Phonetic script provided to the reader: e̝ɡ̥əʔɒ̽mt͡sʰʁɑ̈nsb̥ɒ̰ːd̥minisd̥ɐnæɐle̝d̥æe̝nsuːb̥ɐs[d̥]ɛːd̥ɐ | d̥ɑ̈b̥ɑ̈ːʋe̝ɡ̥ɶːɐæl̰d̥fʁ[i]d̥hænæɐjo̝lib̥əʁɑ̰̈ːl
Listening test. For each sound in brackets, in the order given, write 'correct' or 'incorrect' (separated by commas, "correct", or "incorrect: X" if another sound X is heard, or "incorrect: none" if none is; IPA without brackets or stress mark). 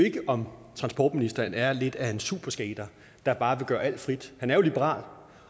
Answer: incorrect: ɡ̥, correct